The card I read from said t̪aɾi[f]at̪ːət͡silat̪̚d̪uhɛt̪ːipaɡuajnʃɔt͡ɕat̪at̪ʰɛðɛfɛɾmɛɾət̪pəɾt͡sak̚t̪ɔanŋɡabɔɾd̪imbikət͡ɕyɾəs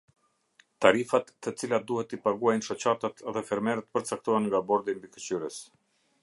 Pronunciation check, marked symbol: correct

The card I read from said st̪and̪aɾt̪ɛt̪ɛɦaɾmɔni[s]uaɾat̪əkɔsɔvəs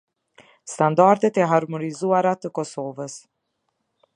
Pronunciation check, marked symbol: incorrect: z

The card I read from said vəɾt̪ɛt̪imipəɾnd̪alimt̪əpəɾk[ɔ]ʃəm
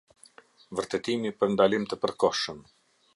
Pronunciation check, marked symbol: correct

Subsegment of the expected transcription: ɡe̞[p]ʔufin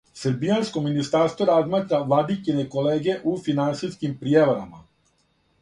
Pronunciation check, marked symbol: incorrect: none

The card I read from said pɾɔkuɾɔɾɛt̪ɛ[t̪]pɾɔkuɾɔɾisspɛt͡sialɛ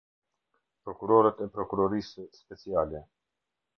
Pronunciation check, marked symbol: incorrect: none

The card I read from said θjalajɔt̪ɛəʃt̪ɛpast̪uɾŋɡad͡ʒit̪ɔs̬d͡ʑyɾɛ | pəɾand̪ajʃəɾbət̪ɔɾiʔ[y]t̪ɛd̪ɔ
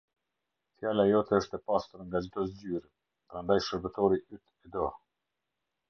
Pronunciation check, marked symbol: correct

